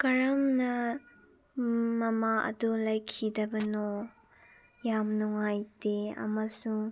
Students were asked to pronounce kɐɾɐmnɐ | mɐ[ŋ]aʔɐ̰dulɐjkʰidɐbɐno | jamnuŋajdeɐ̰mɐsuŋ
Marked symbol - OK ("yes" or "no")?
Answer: no